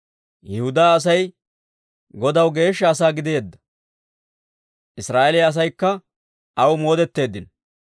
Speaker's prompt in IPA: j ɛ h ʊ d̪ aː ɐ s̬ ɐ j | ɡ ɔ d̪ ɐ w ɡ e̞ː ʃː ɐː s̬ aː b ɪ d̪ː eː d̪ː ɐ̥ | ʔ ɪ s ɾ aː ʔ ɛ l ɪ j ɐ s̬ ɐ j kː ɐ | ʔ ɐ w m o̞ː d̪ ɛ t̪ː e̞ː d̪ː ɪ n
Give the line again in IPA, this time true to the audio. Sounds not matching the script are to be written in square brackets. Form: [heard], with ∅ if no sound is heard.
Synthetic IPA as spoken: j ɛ h ʊ d̪ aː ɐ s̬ ɐ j | ɡ ɔ d̪ ɐ w ɡ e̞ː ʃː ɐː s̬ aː [ɡ] ɪ [d̪] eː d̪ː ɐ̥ | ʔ ɪ s ɾ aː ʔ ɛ l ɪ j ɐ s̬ ɐ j kː ɐ | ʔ ɐ w m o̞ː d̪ ɛ t̪ː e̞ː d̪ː ɪ n